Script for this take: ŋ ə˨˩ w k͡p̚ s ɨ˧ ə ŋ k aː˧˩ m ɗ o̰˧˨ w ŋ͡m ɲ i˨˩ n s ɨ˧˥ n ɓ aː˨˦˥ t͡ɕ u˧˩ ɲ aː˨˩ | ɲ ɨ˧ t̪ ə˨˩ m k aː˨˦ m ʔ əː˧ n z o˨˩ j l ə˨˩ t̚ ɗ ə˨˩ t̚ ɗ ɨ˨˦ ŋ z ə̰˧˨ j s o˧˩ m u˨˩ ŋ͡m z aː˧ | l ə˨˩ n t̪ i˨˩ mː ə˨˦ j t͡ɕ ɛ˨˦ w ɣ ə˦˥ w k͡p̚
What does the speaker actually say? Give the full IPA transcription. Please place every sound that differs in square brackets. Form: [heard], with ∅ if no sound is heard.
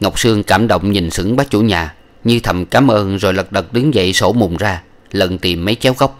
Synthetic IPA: ŋ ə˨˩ w k͡p̚ s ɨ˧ ə ŋ k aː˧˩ m ɗ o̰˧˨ w ŋ͡m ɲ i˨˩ n s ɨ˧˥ [ŋ] ɓ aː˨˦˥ t͡ɕ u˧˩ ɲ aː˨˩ | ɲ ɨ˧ [t̪ʰ] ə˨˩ m k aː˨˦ m ʔ əː˧ n z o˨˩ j l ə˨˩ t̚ ɗ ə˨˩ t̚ ɗ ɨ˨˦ ŋ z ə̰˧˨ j s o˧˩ m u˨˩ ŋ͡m z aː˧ | l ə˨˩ n t̪ i˨˩ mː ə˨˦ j t͡ɕ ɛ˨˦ w ɣ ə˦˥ w k͡p̚